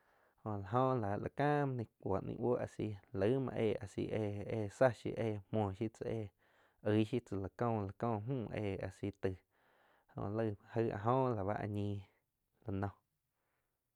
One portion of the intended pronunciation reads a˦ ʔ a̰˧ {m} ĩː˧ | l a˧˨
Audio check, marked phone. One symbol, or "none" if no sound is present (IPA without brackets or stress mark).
ɲ